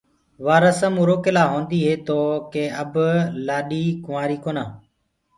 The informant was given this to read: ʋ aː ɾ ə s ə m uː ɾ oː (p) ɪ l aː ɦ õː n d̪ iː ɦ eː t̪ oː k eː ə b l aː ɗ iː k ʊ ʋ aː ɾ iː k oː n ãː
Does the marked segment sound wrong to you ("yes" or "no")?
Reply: yes